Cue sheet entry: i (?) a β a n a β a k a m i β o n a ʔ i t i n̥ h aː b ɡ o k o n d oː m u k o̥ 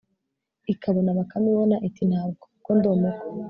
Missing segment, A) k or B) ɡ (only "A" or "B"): A